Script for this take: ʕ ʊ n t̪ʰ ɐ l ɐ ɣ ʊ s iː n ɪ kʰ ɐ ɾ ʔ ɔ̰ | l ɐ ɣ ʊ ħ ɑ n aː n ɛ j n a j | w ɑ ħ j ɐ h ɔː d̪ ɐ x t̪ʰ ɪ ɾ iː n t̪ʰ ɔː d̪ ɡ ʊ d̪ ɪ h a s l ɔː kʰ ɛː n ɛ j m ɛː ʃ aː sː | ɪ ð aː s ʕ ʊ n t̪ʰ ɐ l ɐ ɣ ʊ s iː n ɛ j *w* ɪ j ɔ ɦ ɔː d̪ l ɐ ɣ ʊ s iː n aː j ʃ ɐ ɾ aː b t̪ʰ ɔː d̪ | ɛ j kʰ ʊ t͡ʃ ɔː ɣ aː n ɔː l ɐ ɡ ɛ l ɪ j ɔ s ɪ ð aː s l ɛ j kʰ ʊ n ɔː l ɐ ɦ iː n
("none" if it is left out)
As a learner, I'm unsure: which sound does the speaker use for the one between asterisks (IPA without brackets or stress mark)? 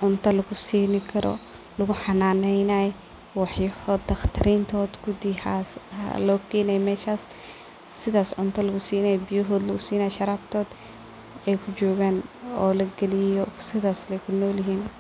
b